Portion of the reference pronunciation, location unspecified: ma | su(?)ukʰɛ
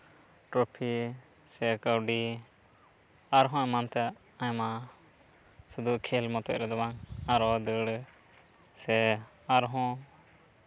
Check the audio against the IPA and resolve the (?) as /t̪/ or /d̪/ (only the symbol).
d̪